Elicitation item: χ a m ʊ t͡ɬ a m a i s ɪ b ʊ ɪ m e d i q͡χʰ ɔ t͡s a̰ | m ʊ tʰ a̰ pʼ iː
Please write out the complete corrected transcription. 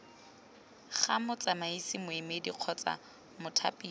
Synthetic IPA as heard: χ a m ʊ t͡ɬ a m a i s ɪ m ʊ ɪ m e d i q͡χʰ ɔ t͡s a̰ | m ʊ tʰ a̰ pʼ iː